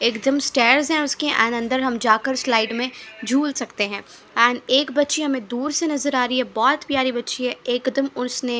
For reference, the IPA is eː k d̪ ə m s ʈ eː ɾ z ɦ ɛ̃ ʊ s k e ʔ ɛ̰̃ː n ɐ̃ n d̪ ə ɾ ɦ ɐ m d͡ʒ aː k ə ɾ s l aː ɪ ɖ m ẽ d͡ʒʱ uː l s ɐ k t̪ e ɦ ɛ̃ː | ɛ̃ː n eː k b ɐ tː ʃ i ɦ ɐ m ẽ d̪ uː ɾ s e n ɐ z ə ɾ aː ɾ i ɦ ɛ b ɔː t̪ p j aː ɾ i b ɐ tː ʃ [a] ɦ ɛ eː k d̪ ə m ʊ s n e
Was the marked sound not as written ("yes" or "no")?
yes